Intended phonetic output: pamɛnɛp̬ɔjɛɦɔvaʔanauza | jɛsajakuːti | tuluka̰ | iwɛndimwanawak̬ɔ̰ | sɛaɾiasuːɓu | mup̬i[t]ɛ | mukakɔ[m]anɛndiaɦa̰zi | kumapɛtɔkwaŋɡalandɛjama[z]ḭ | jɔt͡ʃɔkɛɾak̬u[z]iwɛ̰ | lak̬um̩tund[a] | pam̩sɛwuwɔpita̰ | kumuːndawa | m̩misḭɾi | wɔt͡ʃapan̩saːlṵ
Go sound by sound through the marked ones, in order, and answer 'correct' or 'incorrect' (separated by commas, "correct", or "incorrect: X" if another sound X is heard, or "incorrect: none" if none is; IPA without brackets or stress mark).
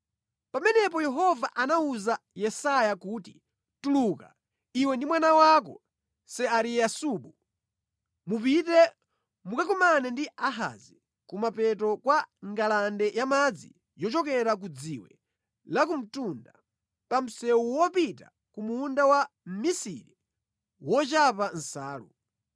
correct, correct, incorrect: d͡z, incorrect: d͡z, correct